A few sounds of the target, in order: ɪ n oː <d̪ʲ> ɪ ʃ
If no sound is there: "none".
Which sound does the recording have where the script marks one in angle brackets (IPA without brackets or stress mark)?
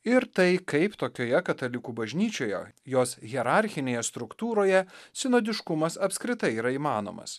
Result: d̪ʲ